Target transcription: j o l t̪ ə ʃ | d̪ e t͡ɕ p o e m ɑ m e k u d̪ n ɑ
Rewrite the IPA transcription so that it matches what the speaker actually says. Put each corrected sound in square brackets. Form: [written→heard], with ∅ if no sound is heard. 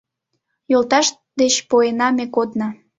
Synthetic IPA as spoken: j o l t̪ [ə→ɑ] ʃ | d̪ e t͡ɕ p o e [m→n] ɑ m e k [u→o] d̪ n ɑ